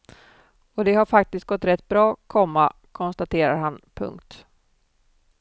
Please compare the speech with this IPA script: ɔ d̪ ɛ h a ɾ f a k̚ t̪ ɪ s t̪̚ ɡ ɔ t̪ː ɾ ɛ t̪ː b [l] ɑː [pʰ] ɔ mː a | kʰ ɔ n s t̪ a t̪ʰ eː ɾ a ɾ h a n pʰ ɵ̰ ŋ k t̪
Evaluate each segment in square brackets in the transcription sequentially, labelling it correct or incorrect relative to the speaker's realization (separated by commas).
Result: incorrect, incorrect